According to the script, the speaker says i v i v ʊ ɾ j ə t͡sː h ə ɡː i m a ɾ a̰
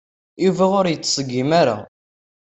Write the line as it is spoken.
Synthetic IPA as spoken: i v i ʁ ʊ ɾ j ə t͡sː s ə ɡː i m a ɾ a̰

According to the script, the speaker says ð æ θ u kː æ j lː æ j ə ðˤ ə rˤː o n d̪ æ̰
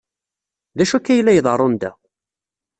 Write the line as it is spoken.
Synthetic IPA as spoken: ð æ ʃ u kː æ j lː æ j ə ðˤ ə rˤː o n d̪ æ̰

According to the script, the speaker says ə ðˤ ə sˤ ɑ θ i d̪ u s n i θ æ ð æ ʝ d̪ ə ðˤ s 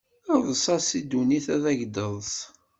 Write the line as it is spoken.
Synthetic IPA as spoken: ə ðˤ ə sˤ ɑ s i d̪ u n i θ æ ð æ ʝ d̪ ə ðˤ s

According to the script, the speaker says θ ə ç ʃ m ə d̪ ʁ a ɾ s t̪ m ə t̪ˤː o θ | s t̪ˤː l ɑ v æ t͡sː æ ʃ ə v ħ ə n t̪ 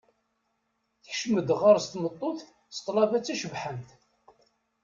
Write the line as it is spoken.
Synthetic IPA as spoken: θ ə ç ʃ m ə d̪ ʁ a ɾ s t̪ m ə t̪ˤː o θ | s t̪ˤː l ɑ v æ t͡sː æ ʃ ə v ħ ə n t̪

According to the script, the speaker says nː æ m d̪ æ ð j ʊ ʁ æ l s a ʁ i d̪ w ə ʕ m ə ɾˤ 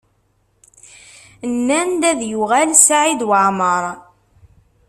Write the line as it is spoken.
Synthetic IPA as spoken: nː æ n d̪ æ ð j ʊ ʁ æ l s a ʕ i d̪ w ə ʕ m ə ɾˤ

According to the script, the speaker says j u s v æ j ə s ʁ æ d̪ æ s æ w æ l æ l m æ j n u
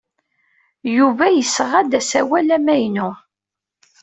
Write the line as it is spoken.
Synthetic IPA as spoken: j u v æ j ə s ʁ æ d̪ æ s æ w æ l æ m æ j n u

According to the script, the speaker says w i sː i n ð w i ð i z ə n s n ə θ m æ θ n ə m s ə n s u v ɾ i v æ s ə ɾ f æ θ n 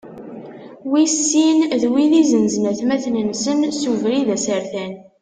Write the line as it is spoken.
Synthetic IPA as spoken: w i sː i n ð w i ð i z ə n z n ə θ m æ θ n ə n s ə n s u v ɾ i ð æ s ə ɾ θ æ n

